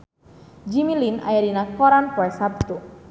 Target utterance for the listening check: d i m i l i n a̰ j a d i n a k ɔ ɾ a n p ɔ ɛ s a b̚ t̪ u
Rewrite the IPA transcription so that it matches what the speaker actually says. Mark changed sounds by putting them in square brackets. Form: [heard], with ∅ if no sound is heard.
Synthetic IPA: [d͡ʒ] i m i l i n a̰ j a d i n a k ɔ ɾ a n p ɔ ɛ s a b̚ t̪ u

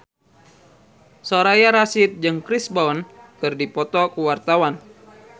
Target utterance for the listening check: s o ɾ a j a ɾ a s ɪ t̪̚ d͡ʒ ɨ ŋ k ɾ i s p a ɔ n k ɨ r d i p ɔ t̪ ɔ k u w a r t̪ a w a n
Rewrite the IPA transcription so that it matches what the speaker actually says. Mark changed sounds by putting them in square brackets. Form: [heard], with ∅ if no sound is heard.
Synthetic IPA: s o ɾ a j a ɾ a s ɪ t̪̚ d͡ʒ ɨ ŋ k ɾ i s [b] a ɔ n k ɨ r d i p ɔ t̪ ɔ k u w a r t̪ a w a n

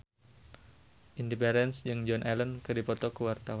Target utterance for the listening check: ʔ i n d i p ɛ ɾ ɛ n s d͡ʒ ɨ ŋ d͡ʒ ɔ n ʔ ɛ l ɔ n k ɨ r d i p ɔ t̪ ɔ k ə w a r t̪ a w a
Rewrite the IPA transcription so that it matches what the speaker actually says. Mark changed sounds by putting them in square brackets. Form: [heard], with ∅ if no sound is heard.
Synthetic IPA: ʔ i n d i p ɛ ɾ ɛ n s d͡ʒ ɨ ŋ d͡ʒ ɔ n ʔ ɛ l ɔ n k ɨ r d i p ɔ t̪ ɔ k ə w a r t̪ a w a

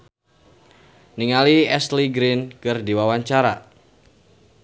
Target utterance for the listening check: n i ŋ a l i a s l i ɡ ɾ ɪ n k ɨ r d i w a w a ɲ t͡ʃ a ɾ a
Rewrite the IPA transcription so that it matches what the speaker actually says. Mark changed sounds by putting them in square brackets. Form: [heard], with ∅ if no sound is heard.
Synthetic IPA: n i ŋ a l i [ɛ] s l i ɡ ɾ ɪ n k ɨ r d i w a w a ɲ t͡ʃ a ɾ a

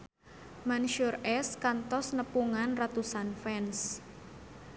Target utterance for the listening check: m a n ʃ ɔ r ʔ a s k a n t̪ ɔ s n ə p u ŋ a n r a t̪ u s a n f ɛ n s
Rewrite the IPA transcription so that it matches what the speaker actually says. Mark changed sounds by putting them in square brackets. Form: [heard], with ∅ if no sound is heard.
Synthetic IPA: m a n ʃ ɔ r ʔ [ɛ] s k a n t̪ ɔ s n ə p u ŋ a n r a t̪ u s a n f ɛ n s

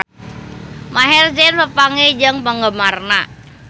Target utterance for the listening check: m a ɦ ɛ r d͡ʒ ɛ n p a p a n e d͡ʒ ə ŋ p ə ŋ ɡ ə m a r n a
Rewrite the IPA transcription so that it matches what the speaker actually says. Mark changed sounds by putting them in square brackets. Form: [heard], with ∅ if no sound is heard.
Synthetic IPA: m a ɦ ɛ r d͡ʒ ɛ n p [ə] p a [ŋ] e d͡ʒ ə ŋ p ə ŋ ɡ ə m a r n a

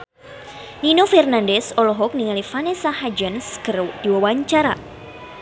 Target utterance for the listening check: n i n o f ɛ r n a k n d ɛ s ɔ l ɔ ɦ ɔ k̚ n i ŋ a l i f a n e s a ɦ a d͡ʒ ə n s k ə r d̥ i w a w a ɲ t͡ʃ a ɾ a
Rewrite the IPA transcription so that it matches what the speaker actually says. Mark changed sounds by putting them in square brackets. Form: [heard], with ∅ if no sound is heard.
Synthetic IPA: n i n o f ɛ r n a [∅] n d ɛ s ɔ l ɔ ɦ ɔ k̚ n i ŋ a l i f a n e s a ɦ a d͡ʒ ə n s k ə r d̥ i w a w a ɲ t͡ʃ a ɾ a

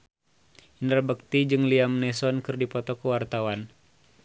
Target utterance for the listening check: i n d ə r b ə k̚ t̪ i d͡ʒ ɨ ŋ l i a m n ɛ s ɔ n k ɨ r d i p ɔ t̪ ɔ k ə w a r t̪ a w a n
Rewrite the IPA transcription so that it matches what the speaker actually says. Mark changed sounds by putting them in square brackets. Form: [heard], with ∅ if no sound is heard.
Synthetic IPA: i n d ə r b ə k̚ t̪ i d͡ʒ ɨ ŋ l i a m n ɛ s ɔ n k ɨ r d i p ɔ t̪ ɔ k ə w a r t̪ a w a n

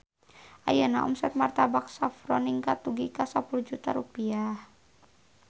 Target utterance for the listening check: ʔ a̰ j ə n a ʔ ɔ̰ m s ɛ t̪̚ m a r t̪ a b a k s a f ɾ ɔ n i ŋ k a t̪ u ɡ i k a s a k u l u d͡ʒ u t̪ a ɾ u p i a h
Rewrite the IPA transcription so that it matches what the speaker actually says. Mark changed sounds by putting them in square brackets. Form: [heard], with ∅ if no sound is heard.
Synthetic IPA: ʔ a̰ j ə n a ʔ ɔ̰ m s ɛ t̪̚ m a r t̪ a b a k s a f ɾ ɔ n i ŋ k a t̪ u ɡ i k a s a [p] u l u d͡ʒ u t̪ a ɾ u p i a h

